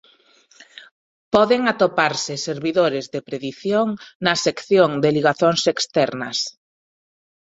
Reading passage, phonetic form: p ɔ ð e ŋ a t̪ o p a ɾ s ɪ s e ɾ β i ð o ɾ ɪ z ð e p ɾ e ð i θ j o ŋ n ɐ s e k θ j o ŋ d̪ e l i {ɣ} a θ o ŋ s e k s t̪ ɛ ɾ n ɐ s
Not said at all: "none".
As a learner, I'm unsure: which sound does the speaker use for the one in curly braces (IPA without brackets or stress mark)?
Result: ɣ